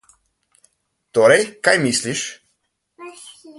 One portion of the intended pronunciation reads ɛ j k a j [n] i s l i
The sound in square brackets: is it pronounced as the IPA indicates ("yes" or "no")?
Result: no